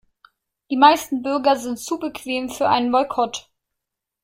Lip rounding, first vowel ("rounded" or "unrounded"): unrounded